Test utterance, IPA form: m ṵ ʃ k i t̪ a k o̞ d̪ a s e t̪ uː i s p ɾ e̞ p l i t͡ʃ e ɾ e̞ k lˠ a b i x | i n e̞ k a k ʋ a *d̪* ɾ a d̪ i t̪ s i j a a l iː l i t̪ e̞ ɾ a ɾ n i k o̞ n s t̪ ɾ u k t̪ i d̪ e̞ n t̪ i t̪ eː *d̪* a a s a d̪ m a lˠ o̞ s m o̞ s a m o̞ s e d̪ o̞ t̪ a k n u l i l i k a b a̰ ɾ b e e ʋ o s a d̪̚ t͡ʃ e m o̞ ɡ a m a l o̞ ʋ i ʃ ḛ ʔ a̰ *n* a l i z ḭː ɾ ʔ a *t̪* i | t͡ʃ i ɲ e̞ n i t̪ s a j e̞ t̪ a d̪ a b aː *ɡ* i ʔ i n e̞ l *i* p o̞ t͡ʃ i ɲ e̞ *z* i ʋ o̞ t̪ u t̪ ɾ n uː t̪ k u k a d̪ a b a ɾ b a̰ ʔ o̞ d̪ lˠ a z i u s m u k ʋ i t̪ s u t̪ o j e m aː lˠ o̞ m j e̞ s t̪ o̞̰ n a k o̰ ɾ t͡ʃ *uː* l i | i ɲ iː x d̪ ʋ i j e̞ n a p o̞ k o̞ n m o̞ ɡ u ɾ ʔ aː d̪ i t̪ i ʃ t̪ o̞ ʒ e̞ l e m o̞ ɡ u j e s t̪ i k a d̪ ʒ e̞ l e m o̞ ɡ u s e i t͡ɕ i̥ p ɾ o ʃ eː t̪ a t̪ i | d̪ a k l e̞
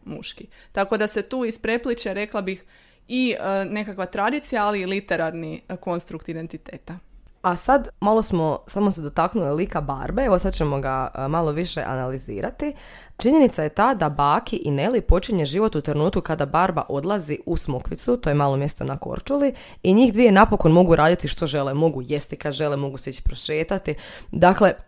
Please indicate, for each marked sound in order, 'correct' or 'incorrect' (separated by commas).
incorrect, incorrect, correct, correct, incorrect, correct, incorrect, incorrect